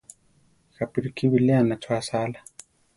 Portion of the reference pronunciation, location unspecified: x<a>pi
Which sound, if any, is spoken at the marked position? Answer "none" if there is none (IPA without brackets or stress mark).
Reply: a